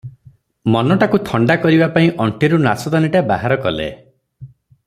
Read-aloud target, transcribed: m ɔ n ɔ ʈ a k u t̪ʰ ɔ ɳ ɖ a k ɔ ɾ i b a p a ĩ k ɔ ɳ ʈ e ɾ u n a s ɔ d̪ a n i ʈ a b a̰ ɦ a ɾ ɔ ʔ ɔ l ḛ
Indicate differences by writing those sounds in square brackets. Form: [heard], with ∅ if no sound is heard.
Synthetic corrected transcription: m ɔ n ɔ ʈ a k u t̪ʰ ɔ ɳ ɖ a k ɔ ɾ i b a p a ĩ [ʔ] ɔ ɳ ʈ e ɾ u n a s ɔ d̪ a n i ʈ a b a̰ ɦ a ɾ ɔ [k] ɔ l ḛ